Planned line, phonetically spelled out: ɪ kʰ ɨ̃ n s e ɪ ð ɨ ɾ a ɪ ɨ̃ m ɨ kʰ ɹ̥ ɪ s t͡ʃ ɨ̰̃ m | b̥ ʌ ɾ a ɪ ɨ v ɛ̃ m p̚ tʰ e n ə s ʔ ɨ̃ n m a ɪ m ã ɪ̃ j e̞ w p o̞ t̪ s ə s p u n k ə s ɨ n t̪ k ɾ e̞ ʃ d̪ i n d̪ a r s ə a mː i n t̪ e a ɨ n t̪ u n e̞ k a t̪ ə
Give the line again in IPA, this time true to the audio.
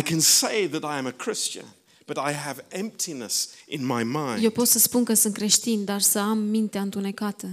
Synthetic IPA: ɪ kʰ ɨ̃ n s e ɪ ð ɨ ɾ a ɪ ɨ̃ m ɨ kʰ ɹ̥ ɪ s t͡ʃ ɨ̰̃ n | b̥ ʌ ɾ a ɪ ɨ v ɛ̃ m p̚ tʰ i n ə s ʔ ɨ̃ n m a ɪ m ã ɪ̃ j e̞ w p o̞ t̪ s ə s p u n k ə s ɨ n t̪ k ɾ e̞ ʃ t̪ i n d̪ a r s ə a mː i n t̪ e a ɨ n t̪ u n e̞ k a t̪ ə